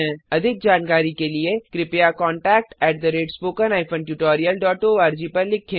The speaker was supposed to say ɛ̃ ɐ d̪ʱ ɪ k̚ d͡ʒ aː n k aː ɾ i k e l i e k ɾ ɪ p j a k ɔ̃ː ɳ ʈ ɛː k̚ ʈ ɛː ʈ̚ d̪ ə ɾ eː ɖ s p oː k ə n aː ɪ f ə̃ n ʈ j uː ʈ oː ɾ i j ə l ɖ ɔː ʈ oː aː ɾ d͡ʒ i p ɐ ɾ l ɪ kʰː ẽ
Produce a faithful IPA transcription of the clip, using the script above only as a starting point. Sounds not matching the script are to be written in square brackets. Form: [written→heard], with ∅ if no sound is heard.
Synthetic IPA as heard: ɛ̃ ɐ d̪ʱ ɪ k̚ d͡ʒ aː n k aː ɾ i k e l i e k ɾ ɪ p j a k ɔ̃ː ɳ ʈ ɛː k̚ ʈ ɛː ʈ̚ d̪ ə ɾ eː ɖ s p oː k ə n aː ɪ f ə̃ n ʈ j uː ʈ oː ɾ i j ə l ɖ ɔː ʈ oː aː ɾ d͡ʒ i p ɐ ɾ l ɪ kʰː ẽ